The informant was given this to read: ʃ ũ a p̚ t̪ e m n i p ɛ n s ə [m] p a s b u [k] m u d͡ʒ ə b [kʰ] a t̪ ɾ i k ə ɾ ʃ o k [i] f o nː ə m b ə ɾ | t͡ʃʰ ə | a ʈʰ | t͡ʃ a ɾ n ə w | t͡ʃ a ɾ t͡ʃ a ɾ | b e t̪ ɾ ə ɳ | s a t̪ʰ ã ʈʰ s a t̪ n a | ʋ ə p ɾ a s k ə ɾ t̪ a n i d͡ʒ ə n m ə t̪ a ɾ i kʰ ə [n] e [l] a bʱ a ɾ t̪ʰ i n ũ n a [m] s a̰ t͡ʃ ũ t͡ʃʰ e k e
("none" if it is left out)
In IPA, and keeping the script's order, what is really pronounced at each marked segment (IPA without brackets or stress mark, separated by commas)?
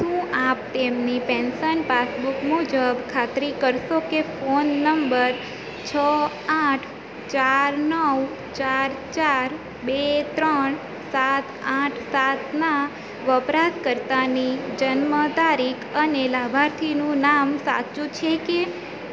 n, k, kʰ, e, n, l, m